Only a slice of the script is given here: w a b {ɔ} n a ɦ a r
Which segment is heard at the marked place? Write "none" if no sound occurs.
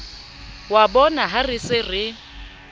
ɔ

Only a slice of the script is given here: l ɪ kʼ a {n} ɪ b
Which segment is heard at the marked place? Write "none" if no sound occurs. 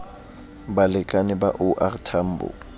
n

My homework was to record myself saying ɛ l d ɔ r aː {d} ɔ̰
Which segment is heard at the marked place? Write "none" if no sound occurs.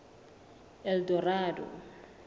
d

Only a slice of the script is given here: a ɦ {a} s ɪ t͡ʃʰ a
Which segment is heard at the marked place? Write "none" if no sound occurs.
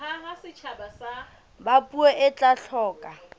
a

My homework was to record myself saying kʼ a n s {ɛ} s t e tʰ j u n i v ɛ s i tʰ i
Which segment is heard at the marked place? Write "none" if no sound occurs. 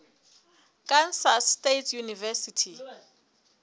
a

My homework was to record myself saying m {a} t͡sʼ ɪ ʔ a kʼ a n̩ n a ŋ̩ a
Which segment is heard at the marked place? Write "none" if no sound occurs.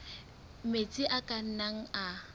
e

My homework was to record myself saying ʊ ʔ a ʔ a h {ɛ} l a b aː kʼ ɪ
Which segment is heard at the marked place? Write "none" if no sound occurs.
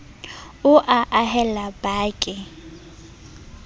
ɛ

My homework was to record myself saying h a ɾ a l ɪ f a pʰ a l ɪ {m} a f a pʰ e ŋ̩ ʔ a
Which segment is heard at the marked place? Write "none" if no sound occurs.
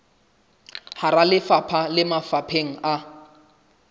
m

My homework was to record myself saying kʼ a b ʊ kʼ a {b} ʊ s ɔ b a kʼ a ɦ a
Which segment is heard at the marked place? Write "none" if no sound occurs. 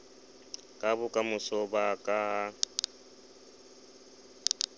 m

